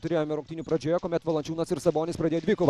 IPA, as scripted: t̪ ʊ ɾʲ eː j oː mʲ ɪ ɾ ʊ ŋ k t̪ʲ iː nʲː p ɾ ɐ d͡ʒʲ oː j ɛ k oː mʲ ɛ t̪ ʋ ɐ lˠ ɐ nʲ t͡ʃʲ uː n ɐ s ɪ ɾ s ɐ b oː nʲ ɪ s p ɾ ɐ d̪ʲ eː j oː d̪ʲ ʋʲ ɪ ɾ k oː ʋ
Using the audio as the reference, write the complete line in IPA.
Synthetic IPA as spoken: t̪ ʊ ɾʲ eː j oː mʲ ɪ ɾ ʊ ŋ k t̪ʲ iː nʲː p ɾ ɐ d͡ʒʲ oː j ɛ k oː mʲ ɛ t̪ ʋ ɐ lˠ ɐ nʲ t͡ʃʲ uː n ɐ s ɪ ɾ s ɐ b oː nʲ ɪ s p ɾ ɐ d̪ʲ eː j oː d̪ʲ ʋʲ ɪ k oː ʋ